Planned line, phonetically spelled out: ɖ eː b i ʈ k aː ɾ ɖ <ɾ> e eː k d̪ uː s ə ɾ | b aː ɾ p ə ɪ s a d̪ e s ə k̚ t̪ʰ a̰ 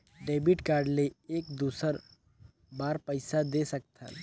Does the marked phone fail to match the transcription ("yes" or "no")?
yes